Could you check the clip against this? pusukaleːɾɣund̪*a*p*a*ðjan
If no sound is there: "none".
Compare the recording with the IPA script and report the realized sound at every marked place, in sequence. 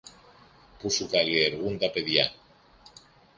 a, e

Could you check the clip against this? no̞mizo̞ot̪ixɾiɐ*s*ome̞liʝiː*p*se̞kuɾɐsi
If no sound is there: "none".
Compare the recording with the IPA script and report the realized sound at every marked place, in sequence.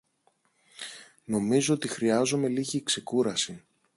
z, k

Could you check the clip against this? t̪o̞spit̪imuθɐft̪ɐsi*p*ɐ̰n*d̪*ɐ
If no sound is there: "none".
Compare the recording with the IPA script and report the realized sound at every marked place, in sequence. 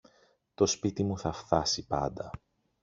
p, d̪

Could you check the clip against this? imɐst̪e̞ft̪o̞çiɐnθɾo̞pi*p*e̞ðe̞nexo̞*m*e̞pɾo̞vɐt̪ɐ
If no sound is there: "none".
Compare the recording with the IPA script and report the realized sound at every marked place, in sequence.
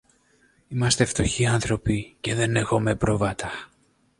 c, m

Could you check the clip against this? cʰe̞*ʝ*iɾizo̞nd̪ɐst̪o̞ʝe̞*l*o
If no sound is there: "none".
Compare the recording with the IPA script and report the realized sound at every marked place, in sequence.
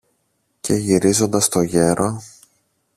ʝ, ɾ

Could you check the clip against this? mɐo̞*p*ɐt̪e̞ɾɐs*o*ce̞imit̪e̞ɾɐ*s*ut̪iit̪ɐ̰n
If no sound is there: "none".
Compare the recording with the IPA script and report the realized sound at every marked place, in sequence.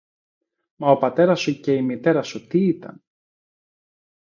p, u, s

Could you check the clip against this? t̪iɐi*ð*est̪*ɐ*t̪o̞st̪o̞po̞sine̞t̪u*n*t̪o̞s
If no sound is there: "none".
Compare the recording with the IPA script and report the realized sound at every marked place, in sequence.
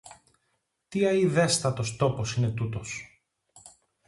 ð, ɐ, none

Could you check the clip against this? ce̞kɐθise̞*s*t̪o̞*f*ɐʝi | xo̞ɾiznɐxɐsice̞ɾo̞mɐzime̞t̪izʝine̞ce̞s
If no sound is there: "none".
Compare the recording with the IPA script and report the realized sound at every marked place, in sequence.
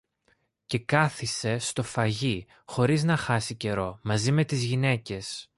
s, f

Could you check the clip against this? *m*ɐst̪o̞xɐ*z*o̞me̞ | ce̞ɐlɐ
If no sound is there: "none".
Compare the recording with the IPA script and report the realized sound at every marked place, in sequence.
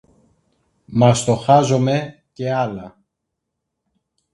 m, z

